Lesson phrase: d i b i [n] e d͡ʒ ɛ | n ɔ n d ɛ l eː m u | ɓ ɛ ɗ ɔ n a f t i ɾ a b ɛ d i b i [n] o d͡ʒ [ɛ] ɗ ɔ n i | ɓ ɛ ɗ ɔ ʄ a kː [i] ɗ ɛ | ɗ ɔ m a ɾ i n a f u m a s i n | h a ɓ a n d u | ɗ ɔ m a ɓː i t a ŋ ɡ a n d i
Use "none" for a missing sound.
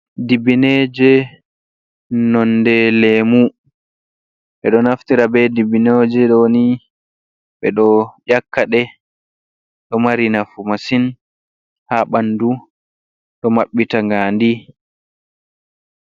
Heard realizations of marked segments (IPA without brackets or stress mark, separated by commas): n, n, ɛ, a